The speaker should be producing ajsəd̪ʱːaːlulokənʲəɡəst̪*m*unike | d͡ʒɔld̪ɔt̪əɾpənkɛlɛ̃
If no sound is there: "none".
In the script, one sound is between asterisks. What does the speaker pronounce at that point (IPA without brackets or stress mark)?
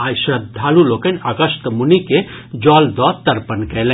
m